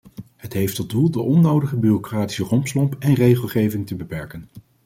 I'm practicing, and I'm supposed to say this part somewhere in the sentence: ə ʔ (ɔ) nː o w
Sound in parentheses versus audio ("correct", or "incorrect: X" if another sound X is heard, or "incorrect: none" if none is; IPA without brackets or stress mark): correct